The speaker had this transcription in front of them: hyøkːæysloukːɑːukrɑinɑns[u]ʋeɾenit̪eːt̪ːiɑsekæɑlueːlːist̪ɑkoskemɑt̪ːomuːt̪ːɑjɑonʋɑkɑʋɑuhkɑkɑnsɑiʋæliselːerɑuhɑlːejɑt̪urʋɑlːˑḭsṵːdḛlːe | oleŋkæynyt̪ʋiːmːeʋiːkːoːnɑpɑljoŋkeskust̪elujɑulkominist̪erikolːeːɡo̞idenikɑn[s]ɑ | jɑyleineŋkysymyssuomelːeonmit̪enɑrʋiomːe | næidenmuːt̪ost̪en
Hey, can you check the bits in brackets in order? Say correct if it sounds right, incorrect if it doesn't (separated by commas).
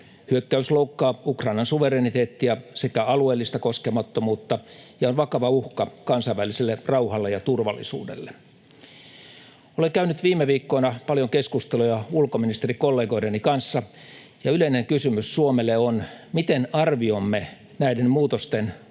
correct, incorrect